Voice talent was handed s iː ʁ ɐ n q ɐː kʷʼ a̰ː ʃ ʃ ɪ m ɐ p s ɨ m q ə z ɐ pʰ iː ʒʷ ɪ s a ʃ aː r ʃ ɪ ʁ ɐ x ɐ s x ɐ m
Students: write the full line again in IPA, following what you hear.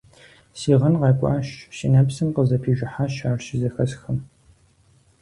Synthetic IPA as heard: s iː ʁ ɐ n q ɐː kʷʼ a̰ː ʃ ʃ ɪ n ɐ p s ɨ m q ə z ɐ pʰ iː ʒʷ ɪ ħ a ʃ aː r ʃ ɪ z ɐ x ɐ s x ɐ m